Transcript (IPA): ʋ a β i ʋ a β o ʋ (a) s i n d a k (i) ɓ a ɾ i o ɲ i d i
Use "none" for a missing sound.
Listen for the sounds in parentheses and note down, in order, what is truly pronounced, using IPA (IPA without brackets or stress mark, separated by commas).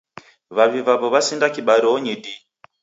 a, i